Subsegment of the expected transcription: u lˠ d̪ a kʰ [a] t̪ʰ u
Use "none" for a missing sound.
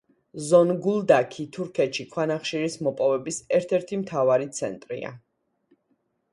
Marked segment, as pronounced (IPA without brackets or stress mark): i